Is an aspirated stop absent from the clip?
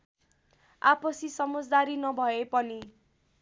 yes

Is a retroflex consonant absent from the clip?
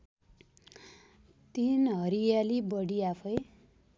no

